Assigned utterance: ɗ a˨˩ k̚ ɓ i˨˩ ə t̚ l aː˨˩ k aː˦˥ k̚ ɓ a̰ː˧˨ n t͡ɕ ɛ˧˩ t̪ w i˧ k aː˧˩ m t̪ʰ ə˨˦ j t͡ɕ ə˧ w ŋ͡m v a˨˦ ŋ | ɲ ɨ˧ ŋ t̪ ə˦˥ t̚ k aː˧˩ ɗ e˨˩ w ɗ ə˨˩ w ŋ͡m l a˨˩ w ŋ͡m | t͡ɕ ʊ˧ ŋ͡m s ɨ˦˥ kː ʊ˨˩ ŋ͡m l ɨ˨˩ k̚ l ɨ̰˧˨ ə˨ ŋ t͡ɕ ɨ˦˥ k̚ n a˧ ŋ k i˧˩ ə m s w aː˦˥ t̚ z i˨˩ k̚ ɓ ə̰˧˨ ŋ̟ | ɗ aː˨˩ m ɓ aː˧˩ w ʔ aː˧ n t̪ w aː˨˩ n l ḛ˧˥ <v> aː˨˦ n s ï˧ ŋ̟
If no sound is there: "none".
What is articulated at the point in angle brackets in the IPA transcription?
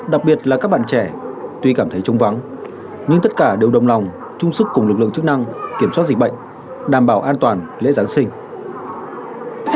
z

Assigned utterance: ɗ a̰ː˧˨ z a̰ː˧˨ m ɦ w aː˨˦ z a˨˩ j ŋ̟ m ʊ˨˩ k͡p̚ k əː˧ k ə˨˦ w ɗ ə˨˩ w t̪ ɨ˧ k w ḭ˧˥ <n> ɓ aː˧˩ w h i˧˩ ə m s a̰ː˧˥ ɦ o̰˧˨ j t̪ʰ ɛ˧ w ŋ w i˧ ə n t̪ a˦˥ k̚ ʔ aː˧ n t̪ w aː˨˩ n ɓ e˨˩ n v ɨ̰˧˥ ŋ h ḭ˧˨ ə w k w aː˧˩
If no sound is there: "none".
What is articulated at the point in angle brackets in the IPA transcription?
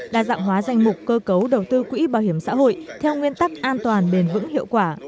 none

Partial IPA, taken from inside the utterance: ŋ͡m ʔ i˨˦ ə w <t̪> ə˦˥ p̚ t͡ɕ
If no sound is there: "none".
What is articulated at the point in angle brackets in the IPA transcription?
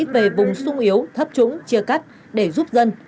t̪ʰ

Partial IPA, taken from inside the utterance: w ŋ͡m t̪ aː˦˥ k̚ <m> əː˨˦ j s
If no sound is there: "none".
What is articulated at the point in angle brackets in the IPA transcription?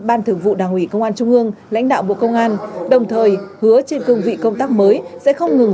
m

